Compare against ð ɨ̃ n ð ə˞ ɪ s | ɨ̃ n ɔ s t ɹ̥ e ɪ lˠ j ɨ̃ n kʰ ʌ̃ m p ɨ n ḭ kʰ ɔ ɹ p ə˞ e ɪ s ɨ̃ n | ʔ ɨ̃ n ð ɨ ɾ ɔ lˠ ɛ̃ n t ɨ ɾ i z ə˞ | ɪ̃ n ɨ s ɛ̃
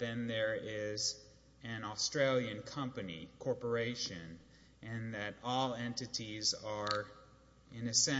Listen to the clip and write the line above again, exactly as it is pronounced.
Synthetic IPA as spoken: ð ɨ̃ n ð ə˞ ɪ z | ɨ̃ n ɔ s t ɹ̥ e ɪ lˠ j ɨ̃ n kʰ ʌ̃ m p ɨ n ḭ kʰ ɔ ɹ p ə˞ e ɪ ʃ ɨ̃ n | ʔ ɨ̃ n ð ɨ ɾ ɔ lˠ ɛ̃ n t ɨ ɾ i z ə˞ | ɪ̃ n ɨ s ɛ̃

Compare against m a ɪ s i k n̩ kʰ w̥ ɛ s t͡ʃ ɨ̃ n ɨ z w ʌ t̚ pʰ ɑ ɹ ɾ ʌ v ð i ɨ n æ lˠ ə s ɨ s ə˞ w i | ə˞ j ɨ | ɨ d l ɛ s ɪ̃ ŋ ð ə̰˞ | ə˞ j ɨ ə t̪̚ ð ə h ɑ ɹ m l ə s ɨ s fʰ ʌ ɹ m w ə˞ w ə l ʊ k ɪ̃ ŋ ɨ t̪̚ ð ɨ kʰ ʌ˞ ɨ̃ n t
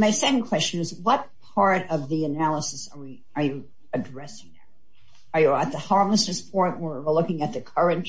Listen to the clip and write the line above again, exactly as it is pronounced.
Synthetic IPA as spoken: m a ɪ s ɛ k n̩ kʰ w̥ ɛ s t͡ʃ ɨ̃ n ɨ z w ʌ t̚ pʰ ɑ ɹ ɾ ʌ v ð i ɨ n æ lˠ ə s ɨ s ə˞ w i | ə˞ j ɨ | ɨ d ɹ ɛ s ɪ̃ ŋ ð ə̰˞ | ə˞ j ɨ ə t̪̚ ð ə h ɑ ɹ m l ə s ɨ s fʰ ɔ ɹ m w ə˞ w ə l ʊ k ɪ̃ ŋ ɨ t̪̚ ð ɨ kʰ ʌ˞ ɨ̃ n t

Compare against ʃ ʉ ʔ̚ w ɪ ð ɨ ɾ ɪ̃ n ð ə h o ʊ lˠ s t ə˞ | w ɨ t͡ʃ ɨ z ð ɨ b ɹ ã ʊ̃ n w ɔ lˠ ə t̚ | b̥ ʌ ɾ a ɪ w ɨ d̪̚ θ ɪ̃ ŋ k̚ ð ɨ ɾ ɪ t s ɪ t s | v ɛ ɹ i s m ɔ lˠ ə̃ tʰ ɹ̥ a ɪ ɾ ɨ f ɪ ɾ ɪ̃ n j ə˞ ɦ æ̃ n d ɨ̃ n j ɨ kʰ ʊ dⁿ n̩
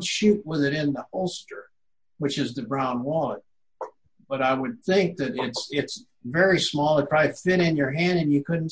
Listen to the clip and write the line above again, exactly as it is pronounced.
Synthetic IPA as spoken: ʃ ʉ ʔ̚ w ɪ ð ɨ ɾ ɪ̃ n ð ə h o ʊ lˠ s t ə˞ | w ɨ t͡ʃ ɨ z ð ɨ b ɹ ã ʊ̃ n w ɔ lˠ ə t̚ | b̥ ʌ ɾ a ɪ w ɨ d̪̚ θ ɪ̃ ŋ k̚ ð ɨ ɾ ɪ t s ɪ t s | v ɛ ɹ i s m ɔ lˠ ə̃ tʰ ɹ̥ a ɪ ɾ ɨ f ɪ ɾ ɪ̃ n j ə˞ ɦ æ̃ n d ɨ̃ n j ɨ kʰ ʊ dⁿ n̩

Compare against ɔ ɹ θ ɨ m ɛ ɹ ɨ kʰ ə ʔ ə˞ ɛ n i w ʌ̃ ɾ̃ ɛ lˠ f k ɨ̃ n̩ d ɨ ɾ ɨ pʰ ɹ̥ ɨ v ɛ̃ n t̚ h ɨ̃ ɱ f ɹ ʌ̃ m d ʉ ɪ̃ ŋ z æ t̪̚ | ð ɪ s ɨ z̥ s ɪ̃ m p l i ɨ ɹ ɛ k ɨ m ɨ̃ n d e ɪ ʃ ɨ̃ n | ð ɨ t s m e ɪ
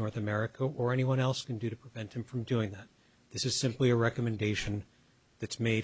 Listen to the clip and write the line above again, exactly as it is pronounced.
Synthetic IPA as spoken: ɔ ɹ θ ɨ m ɛ ɹ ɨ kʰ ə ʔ ə˞ ɛ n i w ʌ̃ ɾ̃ ɛ lˠ s k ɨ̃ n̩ d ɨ ɾ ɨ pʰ ɹ̥ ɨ v ɛ̃ n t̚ h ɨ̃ ɱ f ɹ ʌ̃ m d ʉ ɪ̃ ŋ ð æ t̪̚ | ð ɪ s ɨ z̥ s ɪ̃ m p l i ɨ ɹ ɛ k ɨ m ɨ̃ n d e ɪ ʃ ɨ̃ n | ð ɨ t s m e ɪ

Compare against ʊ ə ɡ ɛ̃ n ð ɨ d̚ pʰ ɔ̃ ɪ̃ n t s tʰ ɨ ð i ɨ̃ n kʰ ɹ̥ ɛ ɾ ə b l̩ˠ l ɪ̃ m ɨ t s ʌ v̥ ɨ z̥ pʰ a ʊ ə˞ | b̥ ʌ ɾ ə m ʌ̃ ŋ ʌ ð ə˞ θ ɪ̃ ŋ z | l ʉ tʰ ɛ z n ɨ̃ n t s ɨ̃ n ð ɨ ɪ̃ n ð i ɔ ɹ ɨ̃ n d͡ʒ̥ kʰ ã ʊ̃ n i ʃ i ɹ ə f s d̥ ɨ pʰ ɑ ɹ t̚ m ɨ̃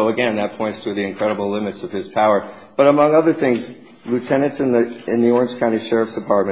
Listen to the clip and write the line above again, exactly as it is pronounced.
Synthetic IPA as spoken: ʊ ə ɡ ɛ̃ n ð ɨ t̚ pʰ ɔ̃ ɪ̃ n t s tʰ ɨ ð i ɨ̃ n kʰ ɹ̥ ɛ ɾ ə b l̩ˠ l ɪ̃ m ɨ t s ʌ v̥ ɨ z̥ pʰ a ʊ ə˞ | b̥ ʌ ɾ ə m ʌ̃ ŋ ʌ ð ə˞ θ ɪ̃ ŋ z | l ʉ tʰ ɛ n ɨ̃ n t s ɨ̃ n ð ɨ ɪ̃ n ð i ɔ ɹ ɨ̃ n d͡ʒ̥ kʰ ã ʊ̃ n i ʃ ɛ ɹ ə f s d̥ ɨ pʰ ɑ ɹ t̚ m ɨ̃

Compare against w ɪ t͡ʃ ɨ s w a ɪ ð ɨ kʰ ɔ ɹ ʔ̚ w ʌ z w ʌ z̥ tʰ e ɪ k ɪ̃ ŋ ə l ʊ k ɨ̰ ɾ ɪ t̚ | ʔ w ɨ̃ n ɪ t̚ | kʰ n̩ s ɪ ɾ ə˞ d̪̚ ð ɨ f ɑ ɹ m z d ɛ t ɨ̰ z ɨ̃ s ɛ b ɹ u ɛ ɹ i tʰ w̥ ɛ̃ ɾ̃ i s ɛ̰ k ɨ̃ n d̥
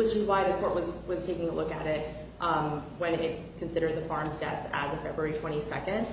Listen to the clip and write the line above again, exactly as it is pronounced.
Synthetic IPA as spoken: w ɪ t͡ʃ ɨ z w a ɪ ð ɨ kʰ ɔ ɹ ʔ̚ w ʌ z w ʌ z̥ tʰ e ɪ k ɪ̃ ŋ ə l ʊ k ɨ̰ ɾ ɪ t̚ | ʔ w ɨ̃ n ɪ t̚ | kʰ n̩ s ɪ ɾ ə˞ d̪̚ ð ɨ f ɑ ɹ m z d ɛ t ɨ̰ z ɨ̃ f ɛ b ɹ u ɛ ɹ i tʰ w̥ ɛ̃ ɾ̃ i s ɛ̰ k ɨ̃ n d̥

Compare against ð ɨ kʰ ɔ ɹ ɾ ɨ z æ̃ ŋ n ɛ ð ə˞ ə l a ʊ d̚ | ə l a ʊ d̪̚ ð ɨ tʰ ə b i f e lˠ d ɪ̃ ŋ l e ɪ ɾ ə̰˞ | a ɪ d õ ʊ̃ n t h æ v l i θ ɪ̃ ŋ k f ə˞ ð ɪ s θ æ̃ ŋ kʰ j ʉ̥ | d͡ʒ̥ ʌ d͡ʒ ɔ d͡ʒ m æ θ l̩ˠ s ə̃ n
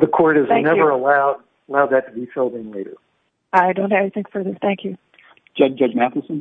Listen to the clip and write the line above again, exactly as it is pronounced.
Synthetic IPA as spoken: ð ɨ kʰ ɔ ɹ ɾ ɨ z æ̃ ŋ n ɛ v ə˞ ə l a ʊ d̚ | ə l a ʊ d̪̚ ð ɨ tʰ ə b i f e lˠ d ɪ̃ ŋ l e ɪ ɾ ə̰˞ | a ɪ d õ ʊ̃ n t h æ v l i θ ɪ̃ ŋ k f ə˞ ð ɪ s θ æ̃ ŋ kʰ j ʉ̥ | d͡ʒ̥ ʌ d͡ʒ ʌ d͡ʒ m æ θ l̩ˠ s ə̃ n

